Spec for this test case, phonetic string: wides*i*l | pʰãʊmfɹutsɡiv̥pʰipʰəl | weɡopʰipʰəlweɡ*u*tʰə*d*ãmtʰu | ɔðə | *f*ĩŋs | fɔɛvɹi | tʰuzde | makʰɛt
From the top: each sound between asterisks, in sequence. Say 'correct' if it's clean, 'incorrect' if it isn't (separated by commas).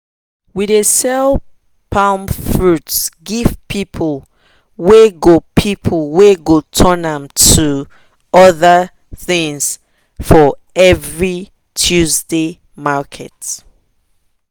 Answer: incorrect, incorrect, incorrect, incorrect